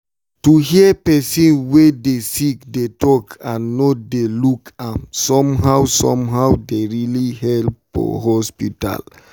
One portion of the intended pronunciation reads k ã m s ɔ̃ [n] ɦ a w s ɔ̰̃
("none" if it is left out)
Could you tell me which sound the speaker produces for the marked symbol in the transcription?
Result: m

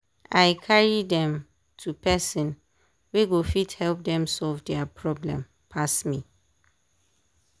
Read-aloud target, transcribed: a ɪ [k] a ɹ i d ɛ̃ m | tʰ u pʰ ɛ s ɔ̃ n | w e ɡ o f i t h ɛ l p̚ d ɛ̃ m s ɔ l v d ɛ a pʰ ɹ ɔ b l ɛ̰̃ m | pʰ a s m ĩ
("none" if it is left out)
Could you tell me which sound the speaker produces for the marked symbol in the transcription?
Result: kʰ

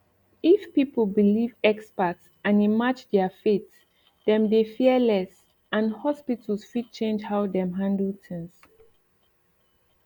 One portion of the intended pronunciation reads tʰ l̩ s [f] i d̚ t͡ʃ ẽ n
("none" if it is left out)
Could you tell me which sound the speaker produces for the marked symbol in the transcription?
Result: f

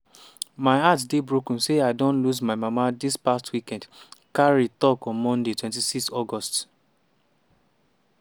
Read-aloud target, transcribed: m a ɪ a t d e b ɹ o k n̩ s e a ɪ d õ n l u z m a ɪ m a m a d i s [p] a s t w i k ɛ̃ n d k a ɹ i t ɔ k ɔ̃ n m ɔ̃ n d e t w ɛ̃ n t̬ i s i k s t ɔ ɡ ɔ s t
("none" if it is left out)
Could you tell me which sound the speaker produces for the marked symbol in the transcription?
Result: p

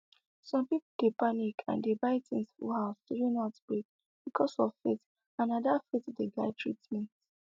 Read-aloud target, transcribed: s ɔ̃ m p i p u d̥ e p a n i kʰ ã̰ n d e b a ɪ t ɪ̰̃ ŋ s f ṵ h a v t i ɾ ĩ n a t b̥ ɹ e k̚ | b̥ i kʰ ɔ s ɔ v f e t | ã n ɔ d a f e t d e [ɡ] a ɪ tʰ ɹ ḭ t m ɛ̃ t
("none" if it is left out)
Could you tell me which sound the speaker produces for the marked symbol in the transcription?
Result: ɡ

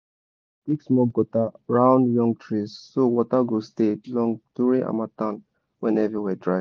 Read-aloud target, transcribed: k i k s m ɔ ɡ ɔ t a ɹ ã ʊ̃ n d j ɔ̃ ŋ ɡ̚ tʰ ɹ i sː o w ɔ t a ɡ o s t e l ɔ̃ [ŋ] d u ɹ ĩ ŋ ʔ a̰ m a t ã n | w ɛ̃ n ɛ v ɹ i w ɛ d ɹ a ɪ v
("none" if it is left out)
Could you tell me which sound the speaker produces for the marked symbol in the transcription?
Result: ŋ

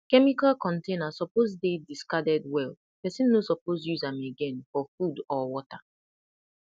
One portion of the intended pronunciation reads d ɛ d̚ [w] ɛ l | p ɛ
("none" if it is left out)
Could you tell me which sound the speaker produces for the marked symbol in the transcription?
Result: w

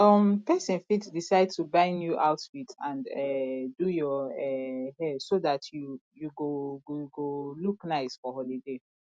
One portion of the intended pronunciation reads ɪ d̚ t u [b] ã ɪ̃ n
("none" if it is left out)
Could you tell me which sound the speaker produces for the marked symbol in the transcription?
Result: b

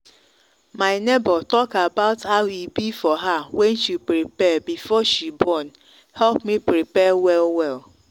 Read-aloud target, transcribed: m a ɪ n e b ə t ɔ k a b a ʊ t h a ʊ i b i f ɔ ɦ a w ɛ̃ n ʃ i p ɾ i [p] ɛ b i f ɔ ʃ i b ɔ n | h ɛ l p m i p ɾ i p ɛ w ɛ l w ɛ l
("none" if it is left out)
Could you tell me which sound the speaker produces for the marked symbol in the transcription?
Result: p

